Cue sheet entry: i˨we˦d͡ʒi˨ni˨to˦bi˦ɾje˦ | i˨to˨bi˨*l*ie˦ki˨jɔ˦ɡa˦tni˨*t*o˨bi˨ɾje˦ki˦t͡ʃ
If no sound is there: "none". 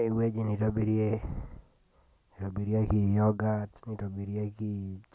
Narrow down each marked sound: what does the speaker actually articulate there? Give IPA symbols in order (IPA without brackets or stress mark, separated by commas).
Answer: ɾ, t